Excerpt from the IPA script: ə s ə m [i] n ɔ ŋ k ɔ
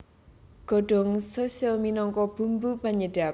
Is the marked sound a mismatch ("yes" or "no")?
no